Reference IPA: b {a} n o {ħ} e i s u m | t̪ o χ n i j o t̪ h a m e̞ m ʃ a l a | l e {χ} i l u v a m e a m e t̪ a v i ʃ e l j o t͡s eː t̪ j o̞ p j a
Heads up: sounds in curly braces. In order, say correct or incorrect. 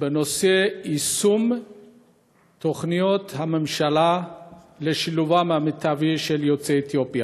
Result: incorrect, incorrect, incorrect

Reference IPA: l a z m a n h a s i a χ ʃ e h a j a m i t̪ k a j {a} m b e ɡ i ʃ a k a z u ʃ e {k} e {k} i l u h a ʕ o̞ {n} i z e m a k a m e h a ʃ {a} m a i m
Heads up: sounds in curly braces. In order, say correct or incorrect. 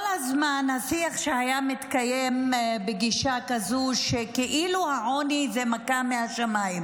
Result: incorrect, correct, incorrect, correct, correct

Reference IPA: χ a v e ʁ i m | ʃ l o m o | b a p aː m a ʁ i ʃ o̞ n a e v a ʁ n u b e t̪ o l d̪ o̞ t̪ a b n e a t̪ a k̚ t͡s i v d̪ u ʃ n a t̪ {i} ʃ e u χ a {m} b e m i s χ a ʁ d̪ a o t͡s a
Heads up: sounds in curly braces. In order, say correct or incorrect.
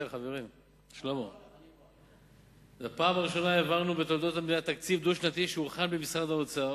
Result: correct, incorrect

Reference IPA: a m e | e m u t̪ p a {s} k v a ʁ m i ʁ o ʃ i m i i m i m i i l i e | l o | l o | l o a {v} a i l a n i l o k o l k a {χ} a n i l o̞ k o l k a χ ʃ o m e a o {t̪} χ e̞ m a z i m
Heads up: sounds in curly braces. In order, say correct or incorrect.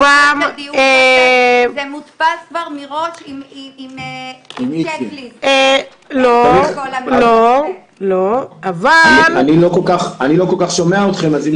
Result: correct, correct, correct, correct

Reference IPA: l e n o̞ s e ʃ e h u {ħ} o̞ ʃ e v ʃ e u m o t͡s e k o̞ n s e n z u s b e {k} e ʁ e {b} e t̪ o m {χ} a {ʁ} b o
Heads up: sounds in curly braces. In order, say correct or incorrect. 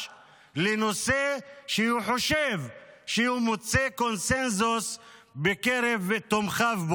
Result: correct, correct, incorrect, correct, incorrect

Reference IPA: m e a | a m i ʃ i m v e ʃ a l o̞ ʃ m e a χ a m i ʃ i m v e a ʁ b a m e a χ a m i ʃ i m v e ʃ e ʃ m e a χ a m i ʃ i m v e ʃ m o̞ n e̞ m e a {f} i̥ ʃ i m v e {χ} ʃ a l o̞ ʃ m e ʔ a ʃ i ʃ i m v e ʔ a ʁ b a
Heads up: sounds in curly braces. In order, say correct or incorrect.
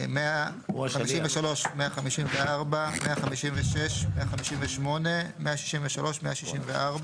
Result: incorrect, incorrect

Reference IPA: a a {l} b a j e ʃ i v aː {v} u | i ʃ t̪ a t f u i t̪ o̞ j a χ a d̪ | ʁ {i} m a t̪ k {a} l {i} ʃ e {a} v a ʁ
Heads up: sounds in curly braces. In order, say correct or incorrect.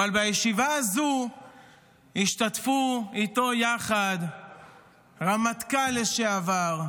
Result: correct, incorrect, incorrect, correct, incorrect, correct

